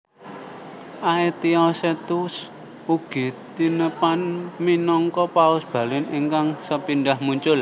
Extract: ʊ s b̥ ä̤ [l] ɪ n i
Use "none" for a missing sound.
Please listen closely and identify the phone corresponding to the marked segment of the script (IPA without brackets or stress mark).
l